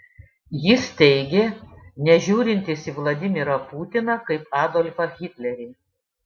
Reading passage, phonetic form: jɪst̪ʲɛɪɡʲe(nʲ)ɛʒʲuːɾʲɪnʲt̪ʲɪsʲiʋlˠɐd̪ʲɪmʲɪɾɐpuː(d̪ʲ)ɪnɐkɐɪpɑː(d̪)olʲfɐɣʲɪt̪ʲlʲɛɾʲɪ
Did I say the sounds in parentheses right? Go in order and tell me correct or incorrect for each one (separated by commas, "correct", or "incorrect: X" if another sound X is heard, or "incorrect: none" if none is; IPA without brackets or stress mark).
correct, incorrect: t̪ʲ, correct